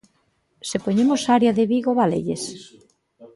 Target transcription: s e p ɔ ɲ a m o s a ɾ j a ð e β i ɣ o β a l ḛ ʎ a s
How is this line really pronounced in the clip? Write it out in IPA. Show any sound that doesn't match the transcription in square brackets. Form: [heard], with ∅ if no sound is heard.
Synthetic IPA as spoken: s e p [o] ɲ [e] m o s a ɾ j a ð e β i ɣ o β a l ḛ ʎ [e] s